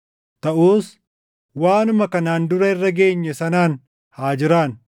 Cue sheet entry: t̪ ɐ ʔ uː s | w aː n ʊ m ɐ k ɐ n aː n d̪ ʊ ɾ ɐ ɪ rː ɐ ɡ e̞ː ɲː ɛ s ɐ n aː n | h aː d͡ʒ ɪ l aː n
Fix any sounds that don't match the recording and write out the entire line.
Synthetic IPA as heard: t̪ ɐ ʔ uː s | w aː n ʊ m ɐ k ɐ n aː n d̪ ʊ ɾ ɐ ɪ rː ɐ ɡ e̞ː ɲː ɛ s ɐ n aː n | h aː d͡ʒ ɪ ɾ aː n